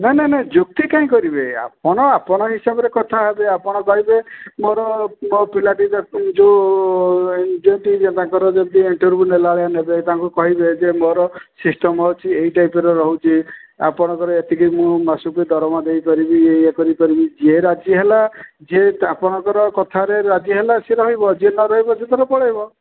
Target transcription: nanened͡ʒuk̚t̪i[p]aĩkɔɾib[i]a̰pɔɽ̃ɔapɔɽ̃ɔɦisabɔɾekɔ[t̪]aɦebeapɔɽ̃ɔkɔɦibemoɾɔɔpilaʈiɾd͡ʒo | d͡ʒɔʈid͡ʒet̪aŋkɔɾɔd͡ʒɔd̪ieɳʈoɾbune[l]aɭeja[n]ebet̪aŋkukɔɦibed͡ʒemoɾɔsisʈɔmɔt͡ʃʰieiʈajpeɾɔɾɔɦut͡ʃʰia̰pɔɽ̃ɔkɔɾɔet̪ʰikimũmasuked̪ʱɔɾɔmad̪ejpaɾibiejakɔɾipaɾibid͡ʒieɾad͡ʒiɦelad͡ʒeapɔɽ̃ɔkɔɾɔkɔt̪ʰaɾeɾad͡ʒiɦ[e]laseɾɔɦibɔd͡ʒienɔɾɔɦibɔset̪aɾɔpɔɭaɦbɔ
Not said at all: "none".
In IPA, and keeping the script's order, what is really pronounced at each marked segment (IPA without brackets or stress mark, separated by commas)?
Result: k, e, t̪ʰ, l, n, e